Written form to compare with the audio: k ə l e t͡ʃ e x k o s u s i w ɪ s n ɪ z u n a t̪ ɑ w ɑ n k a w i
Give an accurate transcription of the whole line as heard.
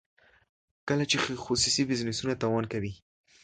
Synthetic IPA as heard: k ə l a t͡ʃ e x x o s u s i b ɪ z n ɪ s u n a t̪ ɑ w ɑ n k a w i

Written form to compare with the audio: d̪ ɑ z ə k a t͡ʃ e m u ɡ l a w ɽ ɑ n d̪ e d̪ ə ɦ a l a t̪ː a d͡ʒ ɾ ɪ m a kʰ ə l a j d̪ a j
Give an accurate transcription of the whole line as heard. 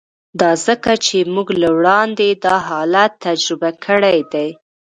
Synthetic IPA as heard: d̪ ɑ z ə k a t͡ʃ e m u ɡ l a w ɽ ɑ n d̪ e d̪ ɑ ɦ ɑ l a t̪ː a d͡ʒ ɾ ɪ b a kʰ ə ɽ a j d̪ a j

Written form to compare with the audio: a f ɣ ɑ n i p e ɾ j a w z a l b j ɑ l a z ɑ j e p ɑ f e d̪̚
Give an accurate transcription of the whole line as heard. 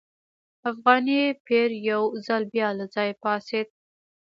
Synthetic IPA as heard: a f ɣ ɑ n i p e ɾ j a w z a l b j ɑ l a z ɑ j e p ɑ s e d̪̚

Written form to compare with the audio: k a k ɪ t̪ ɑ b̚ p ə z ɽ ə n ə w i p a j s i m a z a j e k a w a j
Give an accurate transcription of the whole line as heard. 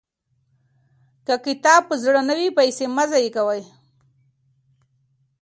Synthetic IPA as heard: k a k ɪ t̪ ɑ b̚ p ə z ɽ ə n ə w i p a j s e m a z a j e k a w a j

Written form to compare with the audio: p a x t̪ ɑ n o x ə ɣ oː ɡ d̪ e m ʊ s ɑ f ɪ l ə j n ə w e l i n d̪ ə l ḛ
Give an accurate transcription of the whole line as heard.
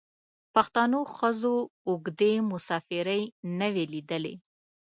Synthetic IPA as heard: p a x t̪ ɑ n o x ə z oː ɡ d̪ e m ʊ s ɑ f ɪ ɾ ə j n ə w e l i d̪ ə l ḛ

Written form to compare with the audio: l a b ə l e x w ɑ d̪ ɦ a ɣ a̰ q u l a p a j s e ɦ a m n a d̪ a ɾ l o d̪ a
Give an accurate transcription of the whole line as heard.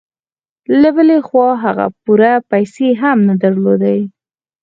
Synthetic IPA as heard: l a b ə l e x w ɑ ɦ a ɣ a̰ p u ɾ a p a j s e ɦ a m n a d̪ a ɾ l o d̪ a

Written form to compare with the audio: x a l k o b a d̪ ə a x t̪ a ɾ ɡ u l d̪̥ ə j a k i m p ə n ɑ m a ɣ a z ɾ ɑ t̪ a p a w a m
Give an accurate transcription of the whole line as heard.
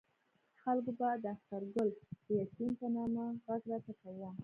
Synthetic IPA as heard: x a l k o b a d̪ ə a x t̪ a ɾ ɡ ʊ l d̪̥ ə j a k i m p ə n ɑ m a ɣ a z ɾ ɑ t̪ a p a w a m

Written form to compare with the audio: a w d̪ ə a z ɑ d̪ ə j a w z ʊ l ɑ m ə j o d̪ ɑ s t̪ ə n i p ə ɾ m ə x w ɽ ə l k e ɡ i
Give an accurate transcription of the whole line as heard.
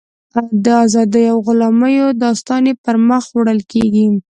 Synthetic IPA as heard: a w d̪ ə a z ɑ d̪ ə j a w ɣ ʊ l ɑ m ə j o d̪ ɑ s t̪ ɑ n e p ə ɾ m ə x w ɽ ə l k e ɡ i

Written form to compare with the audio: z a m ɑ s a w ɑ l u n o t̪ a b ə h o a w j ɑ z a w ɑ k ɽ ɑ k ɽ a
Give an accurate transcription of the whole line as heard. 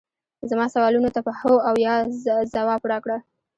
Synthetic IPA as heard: z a m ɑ s a w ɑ l u n o t̪ a p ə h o a w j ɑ z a w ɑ p ɽ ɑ k ɽ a

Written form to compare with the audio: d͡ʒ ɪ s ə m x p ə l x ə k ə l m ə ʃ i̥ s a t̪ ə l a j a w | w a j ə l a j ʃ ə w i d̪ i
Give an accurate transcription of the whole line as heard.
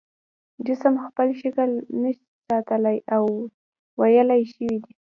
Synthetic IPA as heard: d͡ʒ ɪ s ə m x p ə l ʃ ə k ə l n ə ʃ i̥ s ɑ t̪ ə l a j a w | w a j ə l a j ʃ ə w i d̪ i

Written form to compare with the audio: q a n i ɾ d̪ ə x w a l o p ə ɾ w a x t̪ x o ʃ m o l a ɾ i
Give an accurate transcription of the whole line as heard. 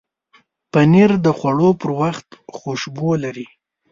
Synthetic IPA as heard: p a n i ɾ d̪ ə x w a ɽ o p ə ɾ w a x t̪ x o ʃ b o l a ɾ i

